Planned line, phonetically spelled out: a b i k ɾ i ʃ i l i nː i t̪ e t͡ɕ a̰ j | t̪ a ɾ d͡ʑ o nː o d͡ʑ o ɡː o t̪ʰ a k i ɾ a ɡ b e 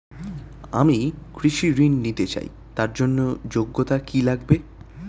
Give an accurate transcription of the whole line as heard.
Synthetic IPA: a m i k ɾ i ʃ i ɾ i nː i t̪ e t͡ɕ a̰ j | t̪ a ɾ d͡ʑ o nː o d͡ʑ o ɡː o t̪ a k i l a ɡ b e